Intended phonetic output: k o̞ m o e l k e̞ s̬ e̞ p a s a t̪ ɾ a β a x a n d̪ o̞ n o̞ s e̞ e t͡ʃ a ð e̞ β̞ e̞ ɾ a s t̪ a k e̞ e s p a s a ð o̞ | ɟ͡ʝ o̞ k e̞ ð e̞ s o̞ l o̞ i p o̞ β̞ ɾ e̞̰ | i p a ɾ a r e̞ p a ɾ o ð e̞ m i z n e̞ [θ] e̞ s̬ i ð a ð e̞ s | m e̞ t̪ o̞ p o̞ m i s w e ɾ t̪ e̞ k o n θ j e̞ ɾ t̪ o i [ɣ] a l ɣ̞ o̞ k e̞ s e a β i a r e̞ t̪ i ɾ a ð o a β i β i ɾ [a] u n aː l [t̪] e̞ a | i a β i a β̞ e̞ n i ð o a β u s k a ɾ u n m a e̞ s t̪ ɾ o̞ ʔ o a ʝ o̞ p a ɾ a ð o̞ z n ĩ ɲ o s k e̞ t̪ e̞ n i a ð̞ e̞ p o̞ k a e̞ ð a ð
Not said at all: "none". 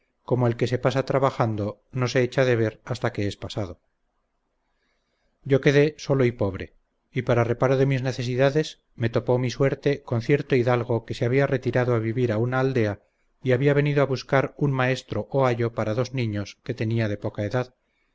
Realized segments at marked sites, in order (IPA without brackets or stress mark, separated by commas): θ, ð, a, d̪